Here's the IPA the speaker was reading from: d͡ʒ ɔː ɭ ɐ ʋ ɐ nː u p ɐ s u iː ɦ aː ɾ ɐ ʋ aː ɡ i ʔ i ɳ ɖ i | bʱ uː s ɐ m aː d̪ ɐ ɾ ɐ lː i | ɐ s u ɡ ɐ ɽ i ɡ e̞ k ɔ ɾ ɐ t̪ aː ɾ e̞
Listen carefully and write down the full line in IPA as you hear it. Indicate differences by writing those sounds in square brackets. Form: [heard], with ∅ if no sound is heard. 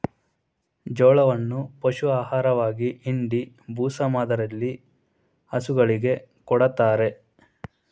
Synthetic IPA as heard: d͡ʒ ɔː ɭ ɐ ʋ ɐ nː u p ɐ [ʃ] u [aː] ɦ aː ɾ ɐ ʋ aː ɡ i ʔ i ɳ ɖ i | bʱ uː s ɐ m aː d̪ ɐ ɾ ɐ lː i | ɐ s u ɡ ɐ [ɭ] i ɡ e̞ k ɔ [ɽ] ɐ t̪ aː ɾ e̞